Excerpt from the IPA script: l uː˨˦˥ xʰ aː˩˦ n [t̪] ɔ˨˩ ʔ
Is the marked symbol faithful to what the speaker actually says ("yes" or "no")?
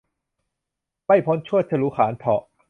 no